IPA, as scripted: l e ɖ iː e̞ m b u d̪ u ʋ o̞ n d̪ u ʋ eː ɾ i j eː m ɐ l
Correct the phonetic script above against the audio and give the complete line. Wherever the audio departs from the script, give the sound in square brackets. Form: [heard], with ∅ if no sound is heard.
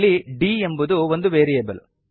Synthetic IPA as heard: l [i] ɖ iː e̞ m b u d̪ u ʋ o̞ n d̪ u ʋ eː ɾ i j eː [b] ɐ l